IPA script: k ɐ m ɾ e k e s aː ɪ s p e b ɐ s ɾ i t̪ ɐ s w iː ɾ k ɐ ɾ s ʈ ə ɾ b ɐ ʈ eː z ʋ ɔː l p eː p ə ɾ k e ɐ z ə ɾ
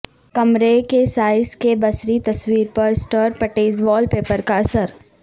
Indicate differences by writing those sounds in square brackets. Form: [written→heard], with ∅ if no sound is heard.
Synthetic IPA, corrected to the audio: k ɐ m ɾ e k e s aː ɪ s [p→k] e b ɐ s ɾ i t̪ ɐ s w iː ɾ [k→p] ɐ ɾ s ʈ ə ɾ [b→p] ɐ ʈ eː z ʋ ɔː l p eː p ə ɾ k [e→a] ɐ [z→s] ə ɾ